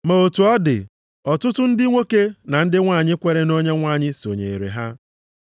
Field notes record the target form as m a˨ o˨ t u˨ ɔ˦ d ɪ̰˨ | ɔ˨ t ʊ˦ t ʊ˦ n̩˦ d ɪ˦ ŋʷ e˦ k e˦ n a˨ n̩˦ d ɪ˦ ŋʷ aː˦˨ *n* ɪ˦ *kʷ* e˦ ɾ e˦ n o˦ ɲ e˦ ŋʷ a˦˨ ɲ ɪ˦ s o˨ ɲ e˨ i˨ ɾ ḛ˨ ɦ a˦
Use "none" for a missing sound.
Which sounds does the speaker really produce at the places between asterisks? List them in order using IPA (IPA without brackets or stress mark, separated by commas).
ɲ, kʷ